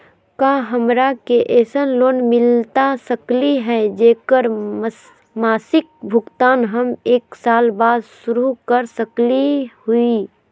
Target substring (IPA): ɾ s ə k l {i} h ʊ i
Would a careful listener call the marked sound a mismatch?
no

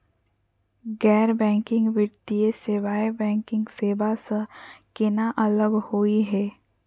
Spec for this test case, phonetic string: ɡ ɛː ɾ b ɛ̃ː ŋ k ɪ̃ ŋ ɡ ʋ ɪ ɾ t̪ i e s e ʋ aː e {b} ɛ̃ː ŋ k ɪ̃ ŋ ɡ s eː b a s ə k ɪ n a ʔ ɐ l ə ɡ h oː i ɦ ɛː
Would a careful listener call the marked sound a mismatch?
no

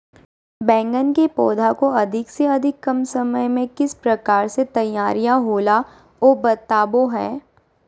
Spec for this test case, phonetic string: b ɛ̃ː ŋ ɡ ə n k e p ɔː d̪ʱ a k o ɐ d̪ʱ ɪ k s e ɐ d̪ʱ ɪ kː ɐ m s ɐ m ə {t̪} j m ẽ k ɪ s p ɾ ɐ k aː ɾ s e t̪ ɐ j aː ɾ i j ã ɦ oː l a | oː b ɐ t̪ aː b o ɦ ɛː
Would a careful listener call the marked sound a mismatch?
yes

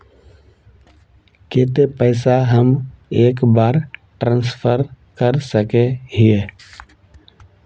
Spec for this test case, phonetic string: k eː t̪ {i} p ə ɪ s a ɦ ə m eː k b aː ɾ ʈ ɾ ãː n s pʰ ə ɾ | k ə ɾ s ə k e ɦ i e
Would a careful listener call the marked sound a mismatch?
yes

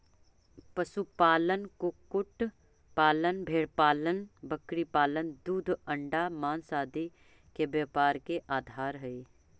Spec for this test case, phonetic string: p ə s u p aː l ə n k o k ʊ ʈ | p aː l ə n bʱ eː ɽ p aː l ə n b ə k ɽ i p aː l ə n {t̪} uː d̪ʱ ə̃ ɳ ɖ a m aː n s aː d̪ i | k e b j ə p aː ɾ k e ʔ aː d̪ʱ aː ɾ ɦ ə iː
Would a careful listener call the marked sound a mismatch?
yes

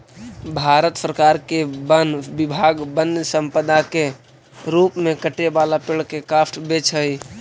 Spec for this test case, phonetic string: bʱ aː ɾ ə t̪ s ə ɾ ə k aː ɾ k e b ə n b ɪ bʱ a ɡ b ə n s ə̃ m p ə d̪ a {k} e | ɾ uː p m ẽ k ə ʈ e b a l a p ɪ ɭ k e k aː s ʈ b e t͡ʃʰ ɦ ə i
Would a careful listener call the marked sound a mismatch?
no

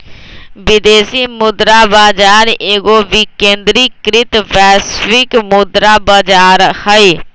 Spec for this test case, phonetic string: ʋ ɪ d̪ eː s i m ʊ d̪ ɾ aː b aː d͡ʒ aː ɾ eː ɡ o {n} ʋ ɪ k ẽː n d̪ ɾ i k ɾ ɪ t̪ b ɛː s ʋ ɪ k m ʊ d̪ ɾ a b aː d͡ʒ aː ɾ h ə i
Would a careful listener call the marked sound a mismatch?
yes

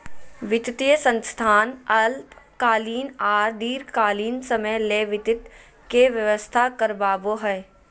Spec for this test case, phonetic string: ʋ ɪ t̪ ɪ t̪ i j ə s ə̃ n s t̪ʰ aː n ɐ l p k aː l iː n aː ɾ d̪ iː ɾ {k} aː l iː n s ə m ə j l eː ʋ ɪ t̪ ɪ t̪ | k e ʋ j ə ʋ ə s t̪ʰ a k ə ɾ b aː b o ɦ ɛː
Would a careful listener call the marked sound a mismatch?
no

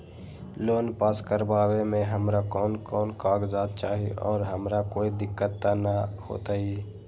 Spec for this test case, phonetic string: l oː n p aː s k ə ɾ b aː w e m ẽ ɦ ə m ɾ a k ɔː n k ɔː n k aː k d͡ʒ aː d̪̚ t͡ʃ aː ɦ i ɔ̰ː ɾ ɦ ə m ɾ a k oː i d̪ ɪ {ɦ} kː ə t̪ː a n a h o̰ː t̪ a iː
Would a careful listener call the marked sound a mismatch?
yes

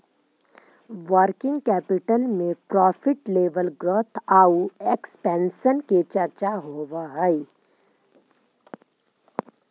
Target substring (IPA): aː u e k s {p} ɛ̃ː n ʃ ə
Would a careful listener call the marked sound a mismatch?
no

